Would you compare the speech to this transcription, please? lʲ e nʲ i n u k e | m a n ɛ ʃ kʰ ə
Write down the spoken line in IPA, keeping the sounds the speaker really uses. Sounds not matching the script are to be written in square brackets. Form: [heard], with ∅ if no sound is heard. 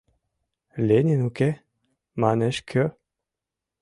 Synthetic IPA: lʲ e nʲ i n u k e | m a n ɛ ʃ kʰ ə